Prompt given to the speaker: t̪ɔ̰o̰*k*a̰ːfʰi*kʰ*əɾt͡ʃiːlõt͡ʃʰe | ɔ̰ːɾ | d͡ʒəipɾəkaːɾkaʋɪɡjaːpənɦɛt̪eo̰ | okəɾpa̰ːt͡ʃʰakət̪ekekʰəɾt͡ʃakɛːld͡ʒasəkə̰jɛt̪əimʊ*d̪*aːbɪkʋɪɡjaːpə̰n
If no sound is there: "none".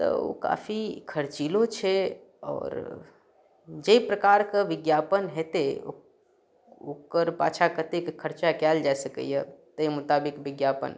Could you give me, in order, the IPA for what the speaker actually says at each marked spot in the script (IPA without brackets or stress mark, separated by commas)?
k, kʰ, t̪